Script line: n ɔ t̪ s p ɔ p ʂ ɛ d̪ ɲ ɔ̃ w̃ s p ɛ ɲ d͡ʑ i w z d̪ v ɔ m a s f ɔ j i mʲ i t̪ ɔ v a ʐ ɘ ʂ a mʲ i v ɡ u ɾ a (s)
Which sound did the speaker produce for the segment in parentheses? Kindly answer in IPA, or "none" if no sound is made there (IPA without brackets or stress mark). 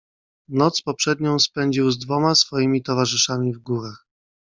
x